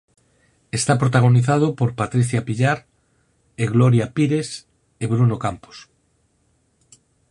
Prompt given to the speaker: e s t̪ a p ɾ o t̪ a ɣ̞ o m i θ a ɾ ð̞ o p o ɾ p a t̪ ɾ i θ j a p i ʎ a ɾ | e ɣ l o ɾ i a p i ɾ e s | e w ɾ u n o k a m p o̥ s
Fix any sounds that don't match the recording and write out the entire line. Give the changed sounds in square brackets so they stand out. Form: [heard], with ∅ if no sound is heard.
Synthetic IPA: e s t̪ a p ɾ o t̪ a ɣ̞ o [n] i θ a [∅] ð̞ o p o ɾ p a t̪ ɾ i θ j a p i ʎ a ɾ | e ɣ l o ɾ [j] a p i ɾ e s | e [β] ɾ u n o k a m p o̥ s